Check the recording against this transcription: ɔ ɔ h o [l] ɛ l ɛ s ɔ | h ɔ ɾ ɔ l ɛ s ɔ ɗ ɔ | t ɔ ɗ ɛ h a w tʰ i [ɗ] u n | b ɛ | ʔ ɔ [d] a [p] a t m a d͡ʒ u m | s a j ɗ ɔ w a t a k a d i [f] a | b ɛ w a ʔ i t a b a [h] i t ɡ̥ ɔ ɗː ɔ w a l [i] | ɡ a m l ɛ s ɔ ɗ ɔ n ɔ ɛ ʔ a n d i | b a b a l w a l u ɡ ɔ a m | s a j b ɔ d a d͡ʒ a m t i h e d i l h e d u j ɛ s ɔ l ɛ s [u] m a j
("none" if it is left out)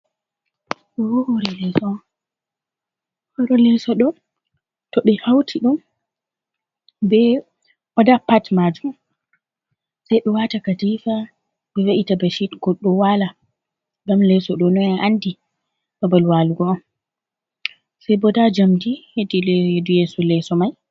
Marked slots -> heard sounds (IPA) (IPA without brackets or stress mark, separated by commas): ɾ, ɗ, d, p, f, ʃ, a, ɔ